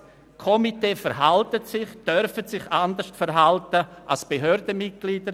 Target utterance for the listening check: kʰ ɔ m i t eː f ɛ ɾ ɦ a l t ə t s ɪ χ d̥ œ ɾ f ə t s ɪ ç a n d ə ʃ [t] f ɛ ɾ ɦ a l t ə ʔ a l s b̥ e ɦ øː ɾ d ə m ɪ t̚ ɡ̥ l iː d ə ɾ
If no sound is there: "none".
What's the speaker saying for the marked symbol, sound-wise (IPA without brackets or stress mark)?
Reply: t